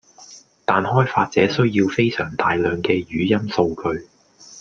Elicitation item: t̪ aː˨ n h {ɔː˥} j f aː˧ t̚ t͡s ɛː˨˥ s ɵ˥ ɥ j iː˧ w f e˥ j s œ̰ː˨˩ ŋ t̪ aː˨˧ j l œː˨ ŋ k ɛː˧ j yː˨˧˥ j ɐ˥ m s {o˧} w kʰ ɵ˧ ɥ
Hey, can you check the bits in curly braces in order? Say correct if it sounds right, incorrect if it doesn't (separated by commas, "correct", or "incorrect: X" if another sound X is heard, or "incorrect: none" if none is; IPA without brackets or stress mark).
correct, correct